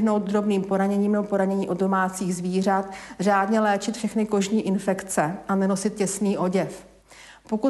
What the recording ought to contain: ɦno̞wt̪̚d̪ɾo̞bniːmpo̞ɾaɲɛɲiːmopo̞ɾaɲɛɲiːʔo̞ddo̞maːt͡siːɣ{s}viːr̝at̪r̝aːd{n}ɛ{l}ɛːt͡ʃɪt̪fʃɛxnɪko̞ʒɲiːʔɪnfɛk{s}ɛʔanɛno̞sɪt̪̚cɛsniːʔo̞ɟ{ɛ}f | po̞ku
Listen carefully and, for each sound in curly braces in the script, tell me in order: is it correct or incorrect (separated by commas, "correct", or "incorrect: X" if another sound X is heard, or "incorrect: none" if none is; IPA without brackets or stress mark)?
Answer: incorrect: z, incorrect: ɲ, correct, incorrect: t͡s, correct